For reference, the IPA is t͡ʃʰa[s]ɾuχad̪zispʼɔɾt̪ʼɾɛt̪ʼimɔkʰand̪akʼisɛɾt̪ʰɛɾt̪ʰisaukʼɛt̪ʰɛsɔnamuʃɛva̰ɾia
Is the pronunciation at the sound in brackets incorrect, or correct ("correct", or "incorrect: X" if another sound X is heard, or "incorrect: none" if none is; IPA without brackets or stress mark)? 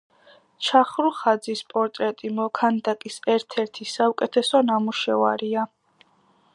incorrect: χ